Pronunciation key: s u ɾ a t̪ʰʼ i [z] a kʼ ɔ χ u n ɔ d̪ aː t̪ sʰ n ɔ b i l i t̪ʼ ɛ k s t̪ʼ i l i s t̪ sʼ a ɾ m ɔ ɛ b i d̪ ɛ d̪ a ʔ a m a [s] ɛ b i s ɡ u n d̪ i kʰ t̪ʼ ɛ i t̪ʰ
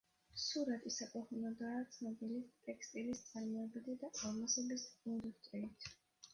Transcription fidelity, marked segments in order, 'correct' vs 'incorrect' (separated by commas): incorrect, correct